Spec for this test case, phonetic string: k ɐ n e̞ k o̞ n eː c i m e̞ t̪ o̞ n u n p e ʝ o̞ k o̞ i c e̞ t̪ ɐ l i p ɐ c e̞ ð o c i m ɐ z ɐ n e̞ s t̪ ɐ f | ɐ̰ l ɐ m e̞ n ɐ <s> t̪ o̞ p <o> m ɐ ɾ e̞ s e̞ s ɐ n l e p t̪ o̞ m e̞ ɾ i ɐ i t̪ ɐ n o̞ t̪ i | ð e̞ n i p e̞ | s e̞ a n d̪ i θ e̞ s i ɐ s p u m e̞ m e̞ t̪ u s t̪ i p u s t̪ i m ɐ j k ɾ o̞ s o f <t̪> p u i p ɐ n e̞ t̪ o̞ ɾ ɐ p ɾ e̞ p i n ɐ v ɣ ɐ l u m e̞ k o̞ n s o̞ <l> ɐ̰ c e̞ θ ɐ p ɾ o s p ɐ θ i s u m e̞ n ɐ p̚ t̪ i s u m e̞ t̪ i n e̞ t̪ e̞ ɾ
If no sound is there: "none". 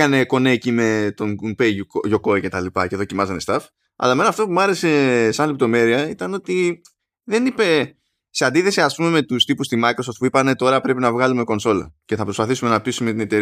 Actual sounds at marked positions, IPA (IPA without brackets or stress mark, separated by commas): f, u, t̪, l